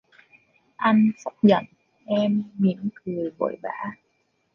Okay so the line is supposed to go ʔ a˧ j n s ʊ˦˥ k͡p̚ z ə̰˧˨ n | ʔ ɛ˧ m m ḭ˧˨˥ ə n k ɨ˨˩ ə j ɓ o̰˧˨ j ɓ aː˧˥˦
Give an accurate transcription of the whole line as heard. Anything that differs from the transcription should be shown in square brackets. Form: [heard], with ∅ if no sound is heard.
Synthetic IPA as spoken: ʔ a˧ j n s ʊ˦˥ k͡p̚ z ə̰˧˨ n | ʔ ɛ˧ m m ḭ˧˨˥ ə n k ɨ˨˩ ə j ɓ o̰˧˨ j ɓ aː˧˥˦